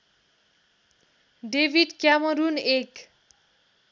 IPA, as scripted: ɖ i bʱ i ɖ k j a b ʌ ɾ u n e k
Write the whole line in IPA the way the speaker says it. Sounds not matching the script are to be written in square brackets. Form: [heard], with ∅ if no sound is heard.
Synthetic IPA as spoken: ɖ [e] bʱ i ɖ k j a [m] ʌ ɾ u n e k